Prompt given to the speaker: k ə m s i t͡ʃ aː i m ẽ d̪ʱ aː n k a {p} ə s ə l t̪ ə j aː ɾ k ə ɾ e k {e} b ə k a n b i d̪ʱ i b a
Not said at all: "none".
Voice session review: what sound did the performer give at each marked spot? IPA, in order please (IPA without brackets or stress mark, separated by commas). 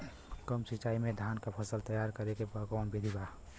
pʰ, e